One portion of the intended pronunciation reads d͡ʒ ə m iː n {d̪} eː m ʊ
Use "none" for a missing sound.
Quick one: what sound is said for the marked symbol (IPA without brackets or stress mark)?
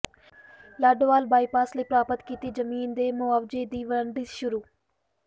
d̪